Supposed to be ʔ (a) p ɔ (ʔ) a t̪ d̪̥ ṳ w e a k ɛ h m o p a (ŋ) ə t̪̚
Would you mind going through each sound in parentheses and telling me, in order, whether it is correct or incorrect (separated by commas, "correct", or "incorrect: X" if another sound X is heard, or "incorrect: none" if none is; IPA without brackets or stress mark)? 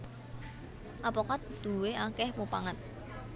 correct, incorrect: k, correct